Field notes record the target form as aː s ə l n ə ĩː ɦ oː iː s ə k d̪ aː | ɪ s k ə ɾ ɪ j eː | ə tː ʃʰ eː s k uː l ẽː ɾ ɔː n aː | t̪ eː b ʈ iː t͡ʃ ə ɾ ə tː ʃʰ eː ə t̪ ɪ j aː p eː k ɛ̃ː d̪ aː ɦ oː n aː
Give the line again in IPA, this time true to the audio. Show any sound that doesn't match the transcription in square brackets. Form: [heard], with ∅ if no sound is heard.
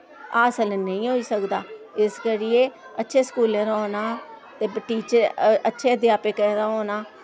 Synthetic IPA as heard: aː s ə l n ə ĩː ɦ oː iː s ə k d̪ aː | ɪ s k ə ɾ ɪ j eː | ə tː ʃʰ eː s k uː l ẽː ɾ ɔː n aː | t̪ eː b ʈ iː t͡ʃ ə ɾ ə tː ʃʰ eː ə [d̪] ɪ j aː p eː k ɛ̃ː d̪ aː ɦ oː n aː